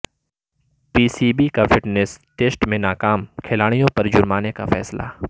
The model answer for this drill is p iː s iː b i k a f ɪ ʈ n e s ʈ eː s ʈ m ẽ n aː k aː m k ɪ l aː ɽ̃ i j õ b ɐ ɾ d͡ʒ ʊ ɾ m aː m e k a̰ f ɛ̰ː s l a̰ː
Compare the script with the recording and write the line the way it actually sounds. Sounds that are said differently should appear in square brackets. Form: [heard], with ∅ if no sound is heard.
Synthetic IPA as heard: p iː s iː b i k a f ɪ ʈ n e s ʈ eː s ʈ m ẽ n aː k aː m [kʰ] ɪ l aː ɽ̃ i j õ [p] ɐ ɾ d͡ʒ ʊ ɾ m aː [n] e k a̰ f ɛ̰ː s l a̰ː